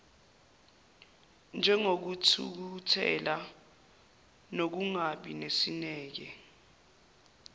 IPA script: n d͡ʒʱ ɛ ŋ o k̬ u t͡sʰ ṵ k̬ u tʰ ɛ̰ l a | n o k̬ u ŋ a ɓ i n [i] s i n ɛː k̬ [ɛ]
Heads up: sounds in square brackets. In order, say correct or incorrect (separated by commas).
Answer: incorrect, correct